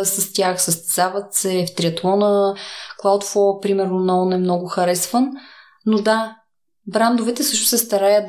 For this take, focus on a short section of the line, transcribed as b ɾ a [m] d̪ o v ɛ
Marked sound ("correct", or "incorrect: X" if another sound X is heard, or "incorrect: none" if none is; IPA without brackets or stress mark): incorrect: n